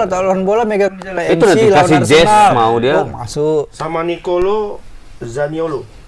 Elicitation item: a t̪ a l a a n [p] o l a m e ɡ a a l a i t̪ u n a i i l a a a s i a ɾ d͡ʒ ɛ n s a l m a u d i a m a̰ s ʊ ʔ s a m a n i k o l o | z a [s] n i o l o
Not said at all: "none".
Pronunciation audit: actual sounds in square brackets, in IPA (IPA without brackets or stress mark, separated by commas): b, none